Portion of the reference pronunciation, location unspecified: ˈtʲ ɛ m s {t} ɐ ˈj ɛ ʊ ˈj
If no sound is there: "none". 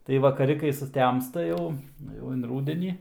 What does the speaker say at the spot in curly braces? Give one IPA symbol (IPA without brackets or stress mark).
t